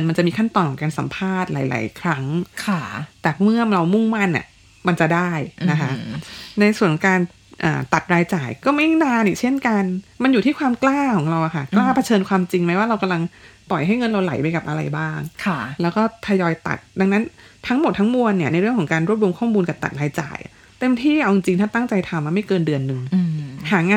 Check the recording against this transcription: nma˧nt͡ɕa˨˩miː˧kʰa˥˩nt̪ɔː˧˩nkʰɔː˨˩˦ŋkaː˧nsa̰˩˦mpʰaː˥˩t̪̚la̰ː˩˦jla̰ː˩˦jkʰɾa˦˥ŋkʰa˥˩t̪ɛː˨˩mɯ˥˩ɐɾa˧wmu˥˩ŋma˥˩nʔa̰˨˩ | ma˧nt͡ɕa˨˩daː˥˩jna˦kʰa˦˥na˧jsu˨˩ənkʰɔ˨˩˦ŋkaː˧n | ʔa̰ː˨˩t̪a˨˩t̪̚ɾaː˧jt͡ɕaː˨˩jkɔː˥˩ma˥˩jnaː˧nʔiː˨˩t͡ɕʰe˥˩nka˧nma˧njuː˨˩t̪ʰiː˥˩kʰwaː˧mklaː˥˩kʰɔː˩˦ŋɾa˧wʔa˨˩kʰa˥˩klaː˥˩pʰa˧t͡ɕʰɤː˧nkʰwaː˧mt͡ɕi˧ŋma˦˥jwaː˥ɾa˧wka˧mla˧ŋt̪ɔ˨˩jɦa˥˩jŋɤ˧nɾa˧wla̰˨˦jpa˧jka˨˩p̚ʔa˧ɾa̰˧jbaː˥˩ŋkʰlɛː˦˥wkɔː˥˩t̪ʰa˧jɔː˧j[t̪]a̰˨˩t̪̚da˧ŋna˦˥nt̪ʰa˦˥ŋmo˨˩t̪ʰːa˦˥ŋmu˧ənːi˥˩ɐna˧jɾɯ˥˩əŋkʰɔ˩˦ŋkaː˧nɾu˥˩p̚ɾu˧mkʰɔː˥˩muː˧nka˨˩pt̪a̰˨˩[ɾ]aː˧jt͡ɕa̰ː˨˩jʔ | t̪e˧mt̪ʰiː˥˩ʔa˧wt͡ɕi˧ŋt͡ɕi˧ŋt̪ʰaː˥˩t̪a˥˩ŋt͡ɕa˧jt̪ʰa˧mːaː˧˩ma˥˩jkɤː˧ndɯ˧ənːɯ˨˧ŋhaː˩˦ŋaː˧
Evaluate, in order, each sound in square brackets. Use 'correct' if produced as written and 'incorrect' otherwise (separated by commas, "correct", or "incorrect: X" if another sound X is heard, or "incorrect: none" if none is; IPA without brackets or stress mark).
correct, correct